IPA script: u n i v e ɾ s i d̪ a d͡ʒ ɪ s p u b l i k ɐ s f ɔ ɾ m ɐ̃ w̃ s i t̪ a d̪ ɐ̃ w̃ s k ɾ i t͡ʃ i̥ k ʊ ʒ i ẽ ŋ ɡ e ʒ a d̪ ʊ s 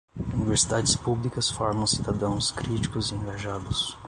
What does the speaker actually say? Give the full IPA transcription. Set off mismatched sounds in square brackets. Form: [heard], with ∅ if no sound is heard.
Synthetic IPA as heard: u n i v e ɾ s i d̪ a d͡ʒ ɪ s p u b l i k ɐ s f ɔ ɾ m ɐ̃ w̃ s i [d̪] a d̪ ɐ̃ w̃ s k ɾ i t͡ʃ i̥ k ʊ [z] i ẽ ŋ ɡ [a] ʒ a d̪ ʊ s